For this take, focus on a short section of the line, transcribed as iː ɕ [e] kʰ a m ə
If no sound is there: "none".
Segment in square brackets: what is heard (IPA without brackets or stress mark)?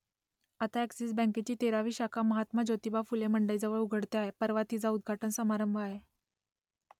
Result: a